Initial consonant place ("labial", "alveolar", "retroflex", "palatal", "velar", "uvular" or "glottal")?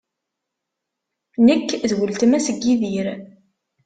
alveolar